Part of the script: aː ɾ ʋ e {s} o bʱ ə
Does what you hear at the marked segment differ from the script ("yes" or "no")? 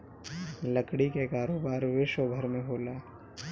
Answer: yes